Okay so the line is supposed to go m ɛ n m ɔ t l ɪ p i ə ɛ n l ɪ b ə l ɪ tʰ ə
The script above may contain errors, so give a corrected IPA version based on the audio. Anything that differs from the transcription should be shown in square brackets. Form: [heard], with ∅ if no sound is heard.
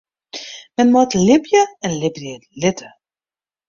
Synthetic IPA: m ɛ n m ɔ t l ɪ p [j] ə ɛ n l ɪ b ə l ɪ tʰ ə